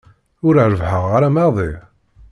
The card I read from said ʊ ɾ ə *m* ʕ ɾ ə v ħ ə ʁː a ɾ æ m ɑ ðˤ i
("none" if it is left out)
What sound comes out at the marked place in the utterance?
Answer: none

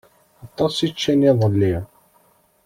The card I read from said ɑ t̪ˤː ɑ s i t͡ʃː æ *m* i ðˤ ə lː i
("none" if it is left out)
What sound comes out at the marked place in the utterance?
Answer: n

